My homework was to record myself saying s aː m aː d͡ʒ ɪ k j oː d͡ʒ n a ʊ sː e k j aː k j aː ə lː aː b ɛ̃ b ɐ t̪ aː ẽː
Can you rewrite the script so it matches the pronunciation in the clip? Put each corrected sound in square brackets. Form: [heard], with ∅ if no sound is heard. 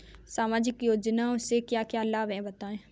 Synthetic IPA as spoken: s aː m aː d͡ʒ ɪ k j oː d͡ʒ n a ʊ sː e k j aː k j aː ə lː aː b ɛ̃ b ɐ t̪ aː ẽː